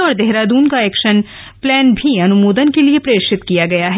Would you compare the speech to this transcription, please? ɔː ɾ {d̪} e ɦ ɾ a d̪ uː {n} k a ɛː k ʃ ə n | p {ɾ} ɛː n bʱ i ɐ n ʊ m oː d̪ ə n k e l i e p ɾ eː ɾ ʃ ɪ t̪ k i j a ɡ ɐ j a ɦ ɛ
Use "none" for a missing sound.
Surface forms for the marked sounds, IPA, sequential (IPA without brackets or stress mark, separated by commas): d̪, n, l